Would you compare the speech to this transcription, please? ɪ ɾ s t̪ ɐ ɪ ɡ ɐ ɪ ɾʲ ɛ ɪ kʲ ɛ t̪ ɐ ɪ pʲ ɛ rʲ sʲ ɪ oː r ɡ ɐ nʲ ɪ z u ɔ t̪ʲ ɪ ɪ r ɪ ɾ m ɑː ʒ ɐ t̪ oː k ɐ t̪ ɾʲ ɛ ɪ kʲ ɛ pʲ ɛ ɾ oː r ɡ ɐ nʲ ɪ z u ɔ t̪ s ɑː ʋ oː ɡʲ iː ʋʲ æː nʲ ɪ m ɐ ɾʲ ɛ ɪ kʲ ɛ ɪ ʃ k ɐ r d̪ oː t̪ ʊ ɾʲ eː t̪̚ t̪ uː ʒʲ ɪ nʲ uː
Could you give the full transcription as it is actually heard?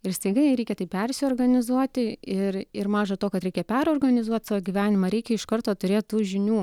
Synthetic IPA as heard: ɪ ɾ s t̪ ɐ ɪ ɡ ɐ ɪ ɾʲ ɛ ɪ kʲ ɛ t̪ ɐ ɪ pʲ ɛ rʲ sʲ ɪ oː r ɡ ɐ nʲ ɪ z u ɔ t̪ʲ ɪ ɪ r ɪ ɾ m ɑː ʒ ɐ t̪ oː k ɐ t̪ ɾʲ ɛ ɪ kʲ ɛ pʲ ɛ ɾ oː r ɡ ɐ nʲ ɪ z u ɔ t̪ s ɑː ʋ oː ɡʲ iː ʋʲ æː nʲ ɪ m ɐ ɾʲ ɛ ɪ kʲ ɛ ɪ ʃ k ɐ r t̪ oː t̪ ʊ ɾʲ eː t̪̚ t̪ uː ʒʲ ɪ nʲ uː

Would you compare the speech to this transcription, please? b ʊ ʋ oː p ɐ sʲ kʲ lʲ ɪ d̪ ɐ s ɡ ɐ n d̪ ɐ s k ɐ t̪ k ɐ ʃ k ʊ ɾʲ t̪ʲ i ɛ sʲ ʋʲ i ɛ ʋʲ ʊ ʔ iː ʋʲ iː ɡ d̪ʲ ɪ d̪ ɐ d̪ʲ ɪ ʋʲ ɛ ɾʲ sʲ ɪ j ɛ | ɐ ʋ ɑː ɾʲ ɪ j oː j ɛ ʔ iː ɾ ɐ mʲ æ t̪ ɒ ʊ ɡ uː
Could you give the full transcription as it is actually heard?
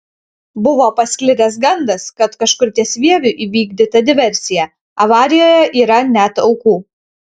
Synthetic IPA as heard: b ʊ ʋ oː p ɐ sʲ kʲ lʲ ɪ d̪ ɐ s ɡ ɐ n d̪ ɐ s k ɐ t̪ k ɐ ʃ k ʊ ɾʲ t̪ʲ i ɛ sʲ ʋʲ i ɛ ʋʲ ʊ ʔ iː ʋʲ iː ɡ d̪ʲ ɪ t̪ ɐ d̪ʲ ɪ ʋʲ ɛ ɾʲ sʲ ɪ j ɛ | ɐ ʋ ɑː ɾʲ ɪ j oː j ɛ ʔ iː ɾ ɐ nʲ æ t̪ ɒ ʊ k uː

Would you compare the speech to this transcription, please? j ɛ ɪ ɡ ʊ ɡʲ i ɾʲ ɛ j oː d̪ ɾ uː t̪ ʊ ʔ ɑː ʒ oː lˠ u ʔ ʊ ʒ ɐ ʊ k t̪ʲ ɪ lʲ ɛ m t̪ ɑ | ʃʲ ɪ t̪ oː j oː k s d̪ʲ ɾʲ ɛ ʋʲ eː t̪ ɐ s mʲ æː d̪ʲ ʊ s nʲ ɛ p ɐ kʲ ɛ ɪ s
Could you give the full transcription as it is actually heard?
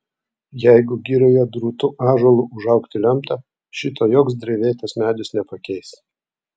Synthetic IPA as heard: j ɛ ɪ ɡ ʊ ɡʲ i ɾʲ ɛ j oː d̪ ɾ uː t̪ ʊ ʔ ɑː ʒ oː lˠ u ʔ ʊ ʒ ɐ ʊ k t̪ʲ ɪ lʲ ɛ m t̪ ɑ | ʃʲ ɪ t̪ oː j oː k s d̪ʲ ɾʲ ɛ ʋʲ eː t̪ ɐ s mʲ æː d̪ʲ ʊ s nʲ ɛ p ɐ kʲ ɛ ɪ s

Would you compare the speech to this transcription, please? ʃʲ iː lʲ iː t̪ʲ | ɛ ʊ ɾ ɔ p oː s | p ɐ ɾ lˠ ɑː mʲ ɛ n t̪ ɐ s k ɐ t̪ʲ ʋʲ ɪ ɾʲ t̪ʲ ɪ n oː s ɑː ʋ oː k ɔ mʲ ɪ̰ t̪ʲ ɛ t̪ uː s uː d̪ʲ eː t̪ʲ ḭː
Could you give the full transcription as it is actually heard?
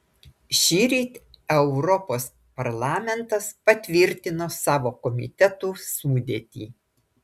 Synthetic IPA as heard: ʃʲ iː ɾʲ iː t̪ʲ | ɛ ʊ ɾ ɔ p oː s | p ɐ ɾ lˠ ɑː mʲ ɛ n t̪ ɐ s p ɐ t̪ʲ ʋʲ ɪ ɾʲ t̪ʲ ɪ n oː s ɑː ʋ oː k ɔ mʲ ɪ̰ t̪ʲ ɛ t̪ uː s uː d̪ʲ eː t̪ʲ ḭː

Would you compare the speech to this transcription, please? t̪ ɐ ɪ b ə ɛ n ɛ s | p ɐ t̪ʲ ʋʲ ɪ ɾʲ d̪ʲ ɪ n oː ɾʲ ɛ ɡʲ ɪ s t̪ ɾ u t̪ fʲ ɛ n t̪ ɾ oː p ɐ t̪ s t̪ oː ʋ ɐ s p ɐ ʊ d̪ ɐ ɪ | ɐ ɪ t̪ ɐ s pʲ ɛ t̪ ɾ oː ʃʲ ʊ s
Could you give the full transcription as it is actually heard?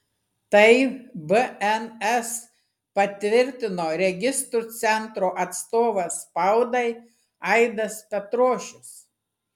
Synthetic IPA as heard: t̪ ɐ ɪ b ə ɛ n ɛ s | p ɐ t̪ʲ ʋʲ ɪ ɾʲ t̪ʲ ɪ n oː ɾʲ ɛ ɡʲ ɪ s t̪ ɾ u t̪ sʲ ɛ n t̪ ɾ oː ʔ ɐ t̪ s t̪ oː ʋ ɐ s p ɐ ʊ d̪ ɐ ɪ | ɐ ɪ d̪ ɐ s pʲ ɛ t̪ ɾ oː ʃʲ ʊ s

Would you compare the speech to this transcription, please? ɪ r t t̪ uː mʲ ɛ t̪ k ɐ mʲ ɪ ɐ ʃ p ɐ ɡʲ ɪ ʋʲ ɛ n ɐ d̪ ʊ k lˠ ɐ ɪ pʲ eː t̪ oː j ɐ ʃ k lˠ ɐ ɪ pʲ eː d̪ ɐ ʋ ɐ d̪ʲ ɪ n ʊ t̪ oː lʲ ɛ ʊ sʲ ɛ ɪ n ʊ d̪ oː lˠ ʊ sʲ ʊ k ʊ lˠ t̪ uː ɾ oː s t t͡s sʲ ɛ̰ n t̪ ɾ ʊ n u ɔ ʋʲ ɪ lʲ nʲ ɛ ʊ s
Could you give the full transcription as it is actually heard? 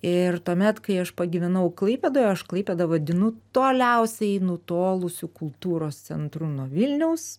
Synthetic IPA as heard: ɪ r t t̪ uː mʲ ɛ t̪ k ɐ ɪ ɐ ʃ p ɐ ɡʲ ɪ ʋʲ ɛ n ɐ ʊ k lˠ ɐ ɪ pʲ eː d̪ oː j ɐ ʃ k lˠ ɐ ɪ pʲ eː d̪ ɐ ʋ ɐ d̪ʲ ɪ n ʊ t̪ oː lʲ ɛ ʊ sʲ ɛ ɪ n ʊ t̪ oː lˠ ʊ sʲ ʊ k ʊ lˠ t̪ uː ɾ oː s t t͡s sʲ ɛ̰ n t̪ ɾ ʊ n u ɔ ʋʲ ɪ lʲ nʲ ɛ ʊ s

